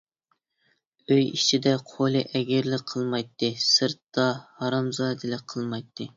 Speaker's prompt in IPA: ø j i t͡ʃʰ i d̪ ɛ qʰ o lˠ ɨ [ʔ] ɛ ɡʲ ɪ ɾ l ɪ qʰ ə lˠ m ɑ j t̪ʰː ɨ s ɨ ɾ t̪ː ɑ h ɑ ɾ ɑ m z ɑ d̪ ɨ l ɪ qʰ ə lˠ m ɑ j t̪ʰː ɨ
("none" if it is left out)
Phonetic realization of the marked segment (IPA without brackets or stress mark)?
ʔ